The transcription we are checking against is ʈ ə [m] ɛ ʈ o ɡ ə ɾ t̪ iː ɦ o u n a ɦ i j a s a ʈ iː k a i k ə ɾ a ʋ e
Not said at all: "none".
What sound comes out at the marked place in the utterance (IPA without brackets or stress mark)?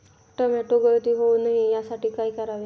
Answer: m